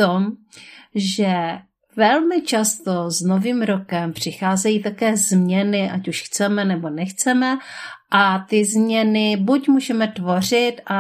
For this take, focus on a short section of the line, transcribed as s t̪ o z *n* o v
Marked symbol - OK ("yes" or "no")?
yes